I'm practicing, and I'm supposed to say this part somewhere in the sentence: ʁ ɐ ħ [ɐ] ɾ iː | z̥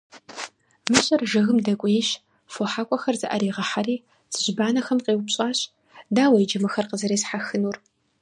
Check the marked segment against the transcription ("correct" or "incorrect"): incorrect